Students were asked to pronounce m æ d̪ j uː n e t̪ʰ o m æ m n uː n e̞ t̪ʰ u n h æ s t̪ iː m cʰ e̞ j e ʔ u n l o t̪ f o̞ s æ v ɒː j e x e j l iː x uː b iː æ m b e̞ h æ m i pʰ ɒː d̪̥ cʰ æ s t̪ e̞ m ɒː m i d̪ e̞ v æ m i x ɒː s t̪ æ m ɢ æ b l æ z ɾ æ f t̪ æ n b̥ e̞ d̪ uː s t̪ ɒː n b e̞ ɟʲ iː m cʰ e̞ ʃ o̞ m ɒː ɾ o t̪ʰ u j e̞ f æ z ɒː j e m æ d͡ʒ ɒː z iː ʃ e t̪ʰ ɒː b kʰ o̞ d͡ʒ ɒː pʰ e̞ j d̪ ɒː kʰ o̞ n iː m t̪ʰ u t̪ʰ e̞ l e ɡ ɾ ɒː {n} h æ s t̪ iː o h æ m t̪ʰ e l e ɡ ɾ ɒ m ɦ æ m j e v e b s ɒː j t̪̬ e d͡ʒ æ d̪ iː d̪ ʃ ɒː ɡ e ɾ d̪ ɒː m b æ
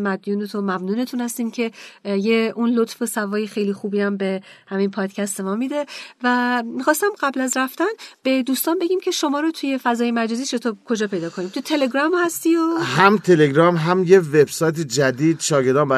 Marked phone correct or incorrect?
incorrect